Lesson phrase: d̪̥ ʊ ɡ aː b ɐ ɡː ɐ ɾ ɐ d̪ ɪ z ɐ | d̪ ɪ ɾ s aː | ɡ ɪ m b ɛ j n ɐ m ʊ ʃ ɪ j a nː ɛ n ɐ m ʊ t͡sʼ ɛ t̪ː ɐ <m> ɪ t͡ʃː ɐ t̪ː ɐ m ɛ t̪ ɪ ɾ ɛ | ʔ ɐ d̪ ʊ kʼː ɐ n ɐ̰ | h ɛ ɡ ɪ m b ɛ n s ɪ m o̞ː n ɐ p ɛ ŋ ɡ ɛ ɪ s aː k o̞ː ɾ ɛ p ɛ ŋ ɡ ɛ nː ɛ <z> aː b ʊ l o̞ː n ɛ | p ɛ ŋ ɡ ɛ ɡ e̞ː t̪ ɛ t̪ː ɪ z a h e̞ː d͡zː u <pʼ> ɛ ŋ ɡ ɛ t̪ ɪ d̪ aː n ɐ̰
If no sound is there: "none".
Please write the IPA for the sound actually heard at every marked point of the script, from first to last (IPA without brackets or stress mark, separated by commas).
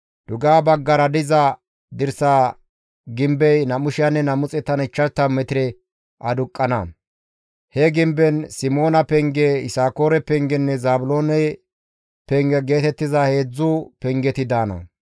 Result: n, z, p